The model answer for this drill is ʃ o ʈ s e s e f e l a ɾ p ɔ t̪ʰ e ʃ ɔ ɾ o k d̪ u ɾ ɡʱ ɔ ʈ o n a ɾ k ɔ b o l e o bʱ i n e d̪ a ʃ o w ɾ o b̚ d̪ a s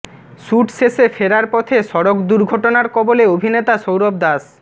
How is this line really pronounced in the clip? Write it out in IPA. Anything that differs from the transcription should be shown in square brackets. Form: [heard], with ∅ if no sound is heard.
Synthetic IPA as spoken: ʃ [u] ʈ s e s e f e [ɾ] a ɾ p ɔ t̪ʰ e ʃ ɔ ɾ o k d̪ u ɾ ɡʱ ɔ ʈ o n a ɾ k ɔ b o l e o bʱ i n e [t̪] a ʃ o w ɾ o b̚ d̪ a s